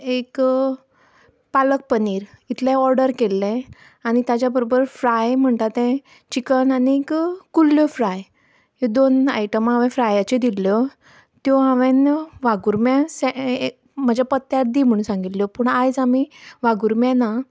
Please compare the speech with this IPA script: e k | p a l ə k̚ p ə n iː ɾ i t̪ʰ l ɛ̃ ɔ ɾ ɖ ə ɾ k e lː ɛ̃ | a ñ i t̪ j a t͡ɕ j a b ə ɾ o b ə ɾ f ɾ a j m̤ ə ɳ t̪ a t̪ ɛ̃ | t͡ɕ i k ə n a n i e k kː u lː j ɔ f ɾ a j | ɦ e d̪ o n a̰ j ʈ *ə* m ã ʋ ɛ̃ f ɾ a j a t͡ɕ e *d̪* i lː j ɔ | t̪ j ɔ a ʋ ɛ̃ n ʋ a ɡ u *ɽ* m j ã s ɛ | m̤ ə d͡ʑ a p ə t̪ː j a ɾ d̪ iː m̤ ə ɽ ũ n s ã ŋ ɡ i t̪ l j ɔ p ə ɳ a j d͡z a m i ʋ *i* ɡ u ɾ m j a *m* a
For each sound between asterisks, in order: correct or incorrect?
correct, correct, incorrect: ɾ, incorrect: a, incorrect: n

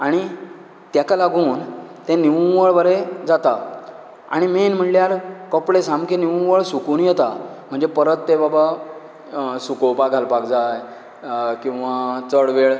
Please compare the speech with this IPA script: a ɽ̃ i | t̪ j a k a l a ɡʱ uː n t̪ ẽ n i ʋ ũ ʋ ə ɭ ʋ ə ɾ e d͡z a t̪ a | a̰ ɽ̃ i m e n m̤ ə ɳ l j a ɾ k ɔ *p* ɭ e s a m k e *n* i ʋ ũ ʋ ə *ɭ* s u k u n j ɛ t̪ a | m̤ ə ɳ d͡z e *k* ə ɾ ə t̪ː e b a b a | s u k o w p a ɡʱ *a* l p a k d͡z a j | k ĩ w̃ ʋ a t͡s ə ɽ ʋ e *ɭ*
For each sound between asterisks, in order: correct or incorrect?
correct, correct, correct, incorrect: p, correct, correct

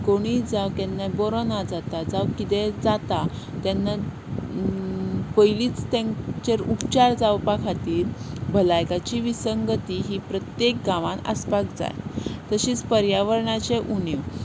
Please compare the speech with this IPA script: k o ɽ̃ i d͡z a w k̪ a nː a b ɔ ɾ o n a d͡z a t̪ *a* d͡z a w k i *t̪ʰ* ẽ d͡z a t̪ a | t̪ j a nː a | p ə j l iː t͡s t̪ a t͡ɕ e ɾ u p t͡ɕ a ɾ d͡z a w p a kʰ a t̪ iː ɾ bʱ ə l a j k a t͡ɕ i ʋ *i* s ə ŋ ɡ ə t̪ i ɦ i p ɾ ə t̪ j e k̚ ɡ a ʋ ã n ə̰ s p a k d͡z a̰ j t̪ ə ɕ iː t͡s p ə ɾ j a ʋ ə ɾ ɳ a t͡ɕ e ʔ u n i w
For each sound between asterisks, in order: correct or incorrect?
correct, incorrect: t̪, correct

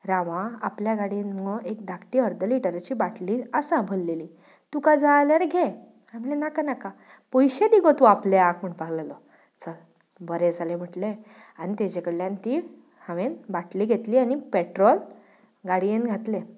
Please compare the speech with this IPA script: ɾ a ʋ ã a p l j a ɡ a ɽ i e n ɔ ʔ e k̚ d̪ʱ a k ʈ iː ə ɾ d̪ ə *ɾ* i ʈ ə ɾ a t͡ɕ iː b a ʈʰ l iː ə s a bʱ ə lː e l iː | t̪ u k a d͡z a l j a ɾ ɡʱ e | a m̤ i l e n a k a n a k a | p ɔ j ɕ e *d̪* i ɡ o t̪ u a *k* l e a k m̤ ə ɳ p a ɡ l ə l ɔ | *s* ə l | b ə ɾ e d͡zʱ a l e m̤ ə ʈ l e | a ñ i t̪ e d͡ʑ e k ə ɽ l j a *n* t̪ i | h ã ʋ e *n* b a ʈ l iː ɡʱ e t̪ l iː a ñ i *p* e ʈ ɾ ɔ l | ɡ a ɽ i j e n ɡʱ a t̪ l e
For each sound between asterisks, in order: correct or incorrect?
incorrect: l, correct, incorrect: p, incorrect: t͡s, correct, correct, correct

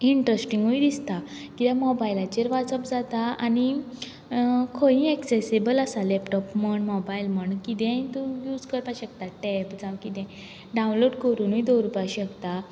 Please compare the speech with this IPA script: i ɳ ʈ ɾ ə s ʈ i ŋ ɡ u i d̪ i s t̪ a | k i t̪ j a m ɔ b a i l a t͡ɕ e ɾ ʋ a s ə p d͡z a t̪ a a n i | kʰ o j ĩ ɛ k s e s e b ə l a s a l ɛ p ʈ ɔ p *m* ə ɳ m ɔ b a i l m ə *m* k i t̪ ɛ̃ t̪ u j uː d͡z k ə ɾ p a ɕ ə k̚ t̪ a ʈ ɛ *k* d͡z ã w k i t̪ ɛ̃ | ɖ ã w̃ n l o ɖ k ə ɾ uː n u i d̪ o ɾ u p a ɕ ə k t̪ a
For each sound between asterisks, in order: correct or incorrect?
correct, incorrect: ɳ, incorrect: p

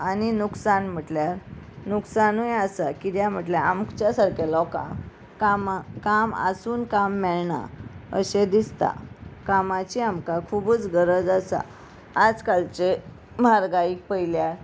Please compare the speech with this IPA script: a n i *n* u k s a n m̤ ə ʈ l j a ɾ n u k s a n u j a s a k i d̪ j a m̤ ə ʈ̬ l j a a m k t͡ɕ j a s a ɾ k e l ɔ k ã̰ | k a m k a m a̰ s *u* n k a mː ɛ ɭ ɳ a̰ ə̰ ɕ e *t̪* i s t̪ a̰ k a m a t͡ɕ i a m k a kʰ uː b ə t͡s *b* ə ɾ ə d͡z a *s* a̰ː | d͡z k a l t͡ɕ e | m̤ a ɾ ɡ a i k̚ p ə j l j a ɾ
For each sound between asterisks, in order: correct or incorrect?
correct, incorrect: uː, incorrect: d̪, incorrect: ɡ, correct

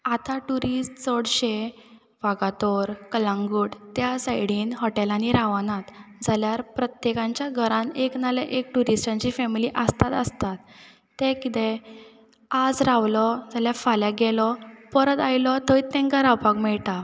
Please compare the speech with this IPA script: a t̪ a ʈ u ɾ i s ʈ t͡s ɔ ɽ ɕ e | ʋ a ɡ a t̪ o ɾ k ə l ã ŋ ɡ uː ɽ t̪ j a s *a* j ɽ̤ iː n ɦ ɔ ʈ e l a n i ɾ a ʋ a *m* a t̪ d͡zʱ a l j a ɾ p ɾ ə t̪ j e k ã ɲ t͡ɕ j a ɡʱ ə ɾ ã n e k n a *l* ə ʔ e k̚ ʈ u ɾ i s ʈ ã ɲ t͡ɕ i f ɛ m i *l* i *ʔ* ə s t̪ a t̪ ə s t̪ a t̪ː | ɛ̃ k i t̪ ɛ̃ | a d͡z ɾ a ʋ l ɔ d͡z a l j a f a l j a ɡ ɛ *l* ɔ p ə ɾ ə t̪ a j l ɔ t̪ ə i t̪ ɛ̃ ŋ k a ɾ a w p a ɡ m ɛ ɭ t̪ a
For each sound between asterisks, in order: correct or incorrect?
correct, incorrect: n, correct, correct, correct, correct

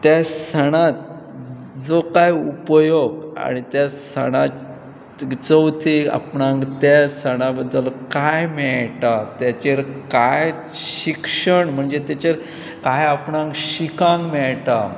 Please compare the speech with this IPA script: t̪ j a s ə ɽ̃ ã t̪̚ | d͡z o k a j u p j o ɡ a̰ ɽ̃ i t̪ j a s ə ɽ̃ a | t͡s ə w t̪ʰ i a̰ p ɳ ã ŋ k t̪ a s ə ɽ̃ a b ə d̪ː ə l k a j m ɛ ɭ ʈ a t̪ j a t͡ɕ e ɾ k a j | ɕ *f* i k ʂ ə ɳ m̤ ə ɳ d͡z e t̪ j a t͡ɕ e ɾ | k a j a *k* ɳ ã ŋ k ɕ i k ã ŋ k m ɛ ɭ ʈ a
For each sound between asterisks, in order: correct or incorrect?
incorrect: ɕ, incorrect: p

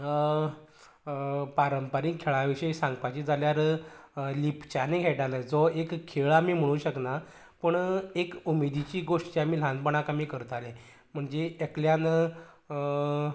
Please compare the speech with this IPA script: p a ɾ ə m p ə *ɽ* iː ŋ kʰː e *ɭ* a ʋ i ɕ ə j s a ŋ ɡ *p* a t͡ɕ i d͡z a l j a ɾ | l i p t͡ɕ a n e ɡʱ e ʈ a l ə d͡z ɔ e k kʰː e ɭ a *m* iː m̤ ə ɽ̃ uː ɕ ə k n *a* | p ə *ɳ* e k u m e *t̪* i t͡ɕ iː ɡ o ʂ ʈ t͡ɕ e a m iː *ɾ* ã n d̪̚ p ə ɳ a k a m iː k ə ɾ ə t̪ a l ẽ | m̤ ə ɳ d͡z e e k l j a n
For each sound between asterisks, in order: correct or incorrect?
incorrect: ɾ, correct, correct, correct, correct, correct, incorrect: d̪, incorrect: l

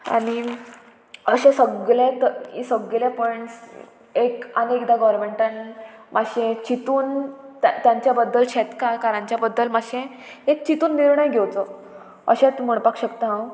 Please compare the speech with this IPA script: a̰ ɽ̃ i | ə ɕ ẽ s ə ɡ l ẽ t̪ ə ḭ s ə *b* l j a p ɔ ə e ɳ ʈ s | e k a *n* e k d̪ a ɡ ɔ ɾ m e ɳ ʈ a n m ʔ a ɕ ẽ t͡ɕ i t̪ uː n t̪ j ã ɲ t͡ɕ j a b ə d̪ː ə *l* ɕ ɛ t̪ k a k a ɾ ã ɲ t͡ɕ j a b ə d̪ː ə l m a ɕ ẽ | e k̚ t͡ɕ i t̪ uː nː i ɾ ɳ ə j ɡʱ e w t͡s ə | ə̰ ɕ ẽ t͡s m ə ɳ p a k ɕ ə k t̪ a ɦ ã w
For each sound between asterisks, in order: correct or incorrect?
incorrect: ɡ, correct, correct

